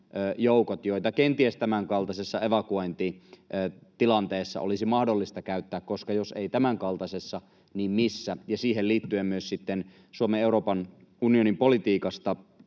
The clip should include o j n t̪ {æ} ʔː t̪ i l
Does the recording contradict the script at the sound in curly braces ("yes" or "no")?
yes